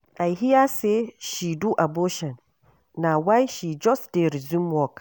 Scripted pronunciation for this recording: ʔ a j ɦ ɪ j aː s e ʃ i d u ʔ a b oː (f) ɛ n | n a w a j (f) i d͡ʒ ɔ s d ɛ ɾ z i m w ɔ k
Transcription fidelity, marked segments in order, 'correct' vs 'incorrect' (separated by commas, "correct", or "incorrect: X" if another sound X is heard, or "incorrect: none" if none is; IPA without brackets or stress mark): incorrect: ʃ, incorrect: ʃ